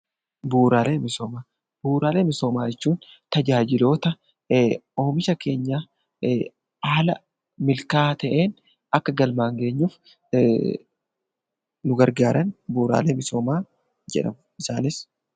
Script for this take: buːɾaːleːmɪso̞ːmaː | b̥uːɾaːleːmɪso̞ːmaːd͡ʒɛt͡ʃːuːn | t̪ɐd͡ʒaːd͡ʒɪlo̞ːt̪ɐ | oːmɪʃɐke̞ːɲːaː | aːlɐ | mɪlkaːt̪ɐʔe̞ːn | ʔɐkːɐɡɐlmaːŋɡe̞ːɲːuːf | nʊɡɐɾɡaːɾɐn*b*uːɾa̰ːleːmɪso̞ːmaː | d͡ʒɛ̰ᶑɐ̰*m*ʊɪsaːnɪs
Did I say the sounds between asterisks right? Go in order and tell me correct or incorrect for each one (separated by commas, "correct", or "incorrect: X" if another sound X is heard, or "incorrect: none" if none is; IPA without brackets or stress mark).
correct, correct